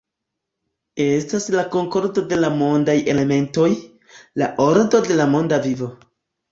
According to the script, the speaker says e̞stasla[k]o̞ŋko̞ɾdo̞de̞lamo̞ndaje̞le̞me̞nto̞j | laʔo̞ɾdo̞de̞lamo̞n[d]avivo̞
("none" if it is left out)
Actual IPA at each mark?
k, d

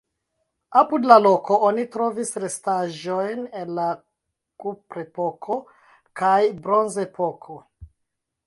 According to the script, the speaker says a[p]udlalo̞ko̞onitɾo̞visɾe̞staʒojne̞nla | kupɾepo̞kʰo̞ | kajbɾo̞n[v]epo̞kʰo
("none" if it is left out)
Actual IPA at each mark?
p, z

